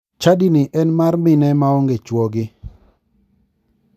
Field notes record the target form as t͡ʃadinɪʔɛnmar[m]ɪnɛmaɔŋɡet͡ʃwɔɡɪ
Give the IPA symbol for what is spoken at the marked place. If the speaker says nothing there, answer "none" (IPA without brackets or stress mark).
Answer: m